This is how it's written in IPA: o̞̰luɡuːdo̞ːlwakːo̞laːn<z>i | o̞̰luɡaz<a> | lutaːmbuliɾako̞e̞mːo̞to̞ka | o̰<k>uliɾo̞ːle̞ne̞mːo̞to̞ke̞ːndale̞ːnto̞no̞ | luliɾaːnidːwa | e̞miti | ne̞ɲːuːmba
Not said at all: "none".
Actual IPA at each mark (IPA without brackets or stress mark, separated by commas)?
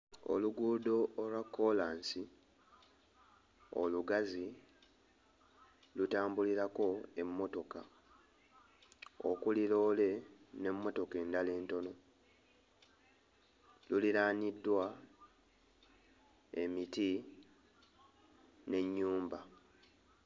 s, i, k